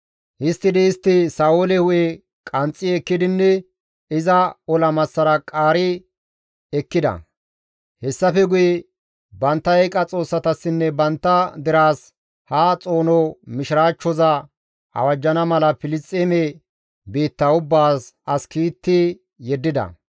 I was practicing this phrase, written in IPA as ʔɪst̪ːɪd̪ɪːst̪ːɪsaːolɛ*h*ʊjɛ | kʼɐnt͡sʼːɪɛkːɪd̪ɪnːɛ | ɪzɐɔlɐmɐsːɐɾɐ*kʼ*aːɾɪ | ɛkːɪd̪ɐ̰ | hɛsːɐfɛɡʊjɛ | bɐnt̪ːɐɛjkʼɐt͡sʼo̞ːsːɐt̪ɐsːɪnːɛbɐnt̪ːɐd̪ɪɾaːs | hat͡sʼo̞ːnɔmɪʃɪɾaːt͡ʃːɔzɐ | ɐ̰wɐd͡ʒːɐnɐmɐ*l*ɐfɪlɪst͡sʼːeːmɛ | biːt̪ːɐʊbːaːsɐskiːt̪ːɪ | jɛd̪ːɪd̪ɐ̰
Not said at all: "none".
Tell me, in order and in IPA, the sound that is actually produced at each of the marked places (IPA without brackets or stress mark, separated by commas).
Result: h, kʼ, l